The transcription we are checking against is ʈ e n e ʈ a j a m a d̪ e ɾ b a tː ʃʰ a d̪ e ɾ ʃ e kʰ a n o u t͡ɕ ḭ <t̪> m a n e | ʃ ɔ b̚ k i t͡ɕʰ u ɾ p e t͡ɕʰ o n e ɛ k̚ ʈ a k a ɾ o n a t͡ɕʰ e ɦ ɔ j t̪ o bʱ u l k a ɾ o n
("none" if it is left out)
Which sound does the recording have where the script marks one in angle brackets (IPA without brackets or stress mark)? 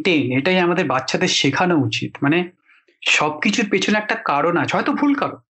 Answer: t̪